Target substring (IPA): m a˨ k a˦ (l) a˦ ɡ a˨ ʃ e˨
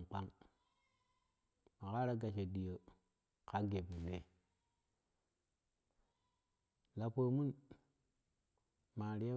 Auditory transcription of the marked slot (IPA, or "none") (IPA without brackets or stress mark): ɾ